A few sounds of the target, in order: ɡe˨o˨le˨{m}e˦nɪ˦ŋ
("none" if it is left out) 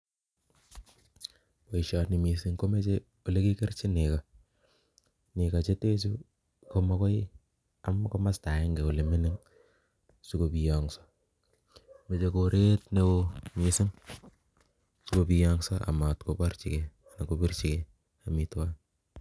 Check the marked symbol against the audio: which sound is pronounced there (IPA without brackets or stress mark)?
m